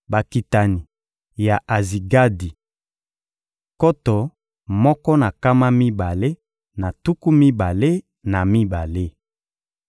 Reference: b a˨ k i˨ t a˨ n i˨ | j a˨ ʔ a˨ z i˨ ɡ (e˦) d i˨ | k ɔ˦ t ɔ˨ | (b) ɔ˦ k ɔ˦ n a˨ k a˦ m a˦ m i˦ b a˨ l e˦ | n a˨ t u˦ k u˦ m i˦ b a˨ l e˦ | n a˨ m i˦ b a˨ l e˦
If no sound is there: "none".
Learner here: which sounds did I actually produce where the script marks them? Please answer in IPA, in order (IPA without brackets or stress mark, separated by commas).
a˦, m